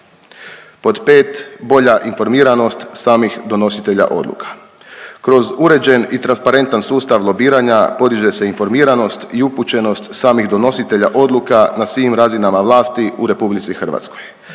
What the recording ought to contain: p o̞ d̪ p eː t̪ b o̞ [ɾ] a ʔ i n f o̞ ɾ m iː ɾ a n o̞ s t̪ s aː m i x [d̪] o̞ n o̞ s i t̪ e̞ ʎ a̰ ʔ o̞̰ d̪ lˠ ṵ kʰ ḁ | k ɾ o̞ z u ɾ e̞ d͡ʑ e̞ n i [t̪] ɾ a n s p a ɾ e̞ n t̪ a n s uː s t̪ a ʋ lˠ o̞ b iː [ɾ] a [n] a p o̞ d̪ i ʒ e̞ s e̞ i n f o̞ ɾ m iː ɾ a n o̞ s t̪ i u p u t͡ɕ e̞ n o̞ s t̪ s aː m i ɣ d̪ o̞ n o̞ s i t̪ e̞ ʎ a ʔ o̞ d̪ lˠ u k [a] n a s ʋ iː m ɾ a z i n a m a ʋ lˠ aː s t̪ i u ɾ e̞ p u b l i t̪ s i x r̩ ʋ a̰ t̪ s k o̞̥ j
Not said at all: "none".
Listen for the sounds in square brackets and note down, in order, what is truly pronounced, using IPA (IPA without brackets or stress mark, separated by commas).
ʎ, d̪, t̪, ɾ, ɲ, a